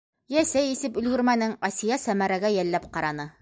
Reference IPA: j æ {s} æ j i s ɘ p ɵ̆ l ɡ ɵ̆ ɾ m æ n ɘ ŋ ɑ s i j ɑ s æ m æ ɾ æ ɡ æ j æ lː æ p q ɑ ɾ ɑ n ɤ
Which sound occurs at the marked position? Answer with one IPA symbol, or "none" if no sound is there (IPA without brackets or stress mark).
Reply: s